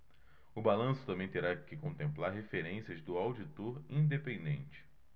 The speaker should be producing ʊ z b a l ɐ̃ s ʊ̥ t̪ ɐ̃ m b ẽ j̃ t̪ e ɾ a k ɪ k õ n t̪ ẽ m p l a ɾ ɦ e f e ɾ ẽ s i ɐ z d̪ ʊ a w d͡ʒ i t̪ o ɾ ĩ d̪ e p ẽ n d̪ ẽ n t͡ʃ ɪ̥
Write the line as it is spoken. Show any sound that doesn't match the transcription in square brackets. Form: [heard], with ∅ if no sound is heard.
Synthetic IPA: ʊ [∅] b a l ɐ̃ s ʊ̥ t̪ ɐ̃ m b ẽ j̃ t̪ e ɾ a k ɪ k õ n t̪ ẽ m p l a ɾ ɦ e f e ɾ ẽ s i ɐ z d̪ ʊ a w d͡ʒ i t̪ o ɾ ĩ d̪ e p ẽ n d̪ ẽ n t͡ʃ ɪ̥